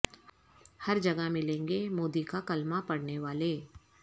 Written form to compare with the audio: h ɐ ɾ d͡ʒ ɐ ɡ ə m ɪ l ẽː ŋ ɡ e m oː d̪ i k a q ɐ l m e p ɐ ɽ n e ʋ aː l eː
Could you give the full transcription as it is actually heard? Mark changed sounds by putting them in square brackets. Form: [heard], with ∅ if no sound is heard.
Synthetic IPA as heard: h ɐ ɾ d͡ʒ ɐ ɡ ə m ɪ l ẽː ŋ ɡ e m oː d̪ i k a [k] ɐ l m [a] p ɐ ɽ n e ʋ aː l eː